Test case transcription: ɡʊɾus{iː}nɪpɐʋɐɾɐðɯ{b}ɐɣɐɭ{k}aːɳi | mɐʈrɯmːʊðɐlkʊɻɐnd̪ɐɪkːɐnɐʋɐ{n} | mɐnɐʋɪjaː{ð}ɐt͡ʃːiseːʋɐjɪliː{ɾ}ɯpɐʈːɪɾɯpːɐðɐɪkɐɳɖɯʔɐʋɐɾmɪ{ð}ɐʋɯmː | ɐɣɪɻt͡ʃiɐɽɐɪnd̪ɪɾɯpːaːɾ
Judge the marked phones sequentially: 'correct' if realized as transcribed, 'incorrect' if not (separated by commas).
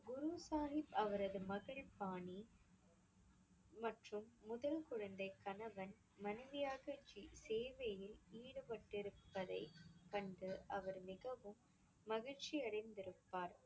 incorrect, incorrect, incorrect, correct, incorrect, incorrect, incorrect